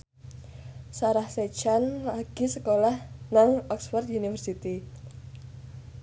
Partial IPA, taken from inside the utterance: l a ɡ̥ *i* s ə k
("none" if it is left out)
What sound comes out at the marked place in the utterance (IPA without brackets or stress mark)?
i